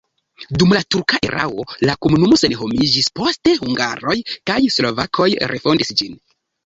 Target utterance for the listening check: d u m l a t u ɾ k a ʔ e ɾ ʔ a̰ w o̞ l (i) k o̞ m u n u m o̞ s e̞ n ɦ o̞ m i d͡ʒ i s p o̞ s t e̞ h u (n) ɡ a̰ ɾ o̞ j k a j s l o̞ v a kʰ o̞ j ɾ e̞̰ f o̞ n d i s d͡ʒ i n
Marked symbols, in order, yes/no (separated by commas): no, no